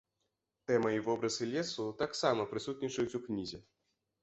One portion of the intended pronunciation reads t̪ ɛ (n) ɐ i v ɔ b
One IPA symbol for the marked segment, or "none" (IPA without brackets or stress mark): m